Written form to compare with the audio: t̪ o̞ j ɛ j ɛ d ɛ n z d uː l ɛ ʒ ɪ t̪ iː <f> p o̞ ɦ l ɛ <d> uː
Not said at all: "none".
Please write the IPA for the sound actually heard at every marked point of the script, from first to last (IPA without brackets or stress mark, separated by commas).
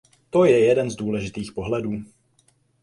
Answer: x, d